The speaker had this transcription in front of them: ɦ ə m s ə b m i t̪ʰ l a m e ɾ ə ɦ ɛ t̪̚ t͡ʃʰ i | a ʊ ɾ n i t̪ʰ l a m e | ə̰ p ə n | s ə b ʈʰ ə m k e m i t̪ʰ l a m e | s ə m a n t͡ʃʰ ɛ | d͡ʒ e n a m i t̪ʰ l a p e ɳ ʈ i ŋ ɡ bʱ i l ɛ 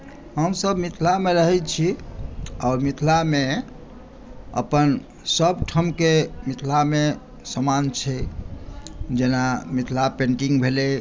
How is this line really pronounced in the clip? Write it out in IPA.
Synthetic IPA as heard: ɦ ə m s ə b m i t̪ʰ l a m e ɾ ə ɦ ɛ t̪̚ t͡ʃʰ i | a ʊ ɾ m i t̪ʰ l a m e | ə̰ p ə n | s ə b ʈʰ ə m k e m i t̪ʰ l a m e | s ə m a n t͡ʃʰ ɛ | d͡ʒ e n a m i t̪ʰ l a p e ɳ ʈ i ŋ ɡ bʱ e l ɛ